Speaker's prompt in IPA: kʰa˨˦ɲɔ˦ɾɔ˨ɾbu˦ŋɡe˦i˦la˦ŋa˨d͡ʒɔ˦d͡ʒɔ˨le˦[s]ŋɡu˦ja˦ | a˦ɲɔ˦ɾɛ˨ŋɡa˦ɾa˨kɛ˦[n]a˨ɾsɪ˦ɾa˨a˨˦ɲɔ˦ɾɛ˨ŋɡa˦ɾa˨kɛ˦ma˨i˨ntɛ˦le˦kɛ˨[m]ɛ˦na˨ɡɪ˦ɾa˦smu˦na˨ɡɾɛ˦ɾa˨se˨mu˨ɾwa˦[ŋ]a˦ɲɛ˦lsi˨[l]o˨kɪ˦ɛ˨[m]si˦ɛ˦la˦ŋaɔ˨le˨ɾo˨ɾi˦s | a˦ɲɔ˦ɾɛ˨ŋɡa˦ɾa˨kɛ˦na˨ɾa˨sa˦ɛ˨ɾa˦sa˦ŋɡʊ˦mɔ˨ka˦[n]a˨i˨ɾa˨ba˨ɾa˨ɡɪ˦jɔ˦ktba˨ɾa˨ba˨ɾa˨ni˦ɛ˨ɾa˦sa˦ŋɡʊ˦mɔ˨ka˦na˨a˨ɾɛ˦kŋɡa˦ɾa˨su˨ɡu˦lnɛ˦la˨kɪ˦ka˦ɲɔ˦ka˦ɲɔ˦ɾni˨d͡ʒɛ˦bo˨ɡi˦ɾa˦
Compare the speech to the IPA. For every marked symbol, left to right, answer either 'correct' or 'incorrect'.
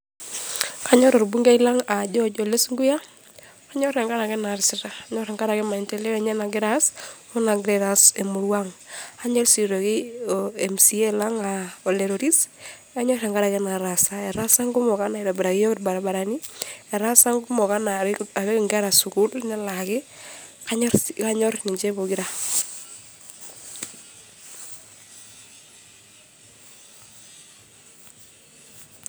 correct, correct, incorrect, correct, incorrect, correct, correct

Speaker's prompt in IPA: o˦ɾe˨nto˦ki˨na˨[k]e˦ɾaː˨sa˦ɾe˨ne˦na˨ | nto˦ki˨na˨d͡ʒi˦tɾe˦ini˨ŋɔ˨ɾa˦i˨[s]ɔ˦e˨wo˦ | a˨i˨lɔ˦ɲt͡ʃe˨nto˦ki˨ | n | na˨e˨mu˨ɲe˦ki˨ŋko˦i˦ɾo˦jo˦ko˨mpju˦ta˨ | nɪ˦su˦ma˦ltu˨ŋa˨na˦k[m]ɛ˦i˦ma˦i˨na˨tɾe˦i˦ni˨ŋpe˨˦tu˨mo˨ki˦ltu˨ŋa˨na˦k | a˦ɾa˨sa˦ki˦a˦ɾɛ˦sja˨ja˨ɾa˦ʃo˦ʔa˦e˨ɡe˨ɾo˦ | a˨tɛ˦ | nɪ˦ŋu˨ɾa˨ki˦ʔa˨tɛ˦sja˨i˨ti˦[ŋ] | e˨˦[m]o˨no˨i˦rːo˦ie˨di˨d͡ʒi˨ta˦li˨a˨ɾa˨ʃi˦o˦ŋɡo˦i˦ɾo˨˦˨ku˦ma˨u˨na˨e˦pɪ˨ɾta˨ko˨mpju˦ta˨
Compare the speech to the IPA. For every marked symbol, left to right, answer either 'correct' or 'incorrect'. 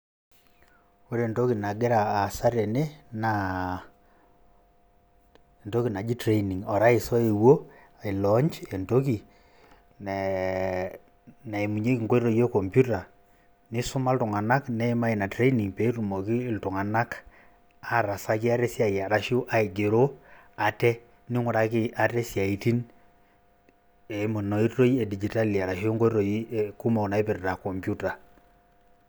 incorrect, correct, incorrect, incorrect, correct

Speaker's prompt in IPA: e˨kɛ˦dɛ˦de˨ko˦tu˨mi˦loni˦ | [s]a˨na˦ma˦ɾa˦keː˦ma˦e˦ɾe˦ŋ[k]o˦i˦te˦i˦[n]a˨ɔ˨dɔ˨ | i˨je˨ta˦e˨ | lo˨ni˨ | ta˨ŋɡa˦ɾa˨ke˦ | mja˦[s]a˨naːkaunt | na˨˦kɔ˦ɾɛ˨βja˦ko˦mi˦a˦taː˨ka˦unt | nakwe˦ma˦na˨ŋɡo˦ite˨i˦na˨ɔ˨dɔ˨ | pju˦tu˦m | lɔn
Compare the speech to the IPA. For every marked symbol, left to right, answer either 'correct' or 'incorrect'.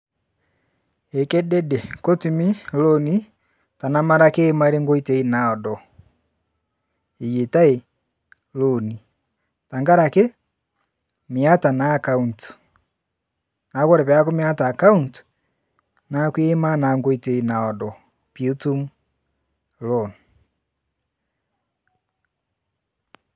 incorrect, incorrect, correct, incorrect

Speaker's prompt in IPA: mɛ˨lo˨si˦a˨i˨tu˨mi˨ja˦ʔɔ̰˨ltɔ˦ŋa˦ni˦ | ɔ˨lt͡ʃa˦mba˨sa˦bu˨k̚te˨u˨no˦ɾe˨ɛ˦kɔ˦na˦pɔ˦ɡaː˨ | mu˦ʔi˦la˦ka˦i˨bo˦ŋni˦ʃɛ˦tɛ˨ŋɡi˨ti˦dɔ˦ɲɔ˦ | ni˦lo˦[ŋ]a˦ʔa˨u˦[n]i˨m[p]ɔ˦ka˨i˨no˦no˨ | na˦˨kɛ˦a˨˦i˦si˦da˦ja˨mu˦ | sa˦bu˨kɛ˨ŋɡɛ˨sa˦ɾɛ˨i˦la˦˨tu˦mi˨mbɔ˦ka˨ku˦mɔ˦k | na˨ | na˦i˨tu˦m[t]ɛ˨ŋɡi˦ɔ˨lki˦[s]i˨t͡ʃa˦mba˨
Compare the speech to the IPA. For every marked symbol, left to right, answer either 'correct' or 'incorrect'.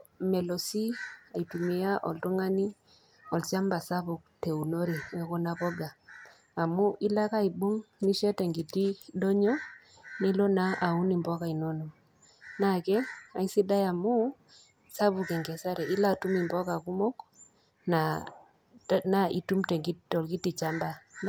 incorrect, correct, incorrect, correct, incorrect

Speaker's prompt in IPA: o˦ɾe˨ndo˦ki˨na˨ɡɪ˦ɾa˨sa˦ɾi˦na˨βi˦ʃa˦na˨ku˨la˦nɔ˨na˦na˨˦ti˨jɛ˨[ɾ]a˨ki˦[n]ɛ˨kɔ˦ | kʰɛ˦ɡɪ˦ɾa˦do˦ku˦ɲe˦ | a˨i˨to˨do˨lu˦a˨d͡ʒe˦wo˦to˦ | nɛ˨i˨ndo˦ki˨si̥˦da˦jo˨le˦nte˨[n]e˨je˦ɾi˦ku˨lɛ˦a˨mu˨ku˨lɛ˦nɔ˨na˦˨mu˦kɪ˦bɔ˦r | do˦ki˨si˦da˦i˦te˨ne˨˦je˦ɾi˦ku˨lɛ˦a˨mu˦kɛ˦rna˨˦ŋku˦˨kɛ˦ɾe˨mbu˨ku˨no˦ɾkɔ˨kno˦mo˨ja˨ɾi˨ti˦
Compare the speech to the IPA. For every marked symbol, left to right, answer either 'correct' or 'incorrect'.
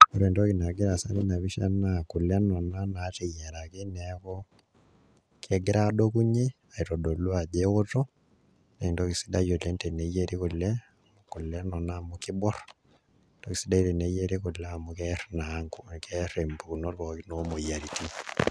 correct, correct, correct

